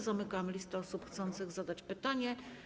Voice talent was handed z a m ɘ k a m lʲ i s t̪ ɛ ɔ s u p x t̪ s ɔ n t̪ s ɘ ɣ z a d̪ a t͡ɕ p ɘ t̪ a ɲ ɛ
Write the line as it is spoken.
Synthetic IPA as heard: z a m ɘ k a m lʲ i s t̪ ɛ ɔ s u p x t̪ s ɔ n t̪ s ɘ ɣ z a d̪ a t͡ɕ p ɘ t̪ a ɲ ɛ